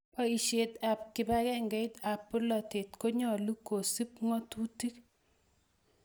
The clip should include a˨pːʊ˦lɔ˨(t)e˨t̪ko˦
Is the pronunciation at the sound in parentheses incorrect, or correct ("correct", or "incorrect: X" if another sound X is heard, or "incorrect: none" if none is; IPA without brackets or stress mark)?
correct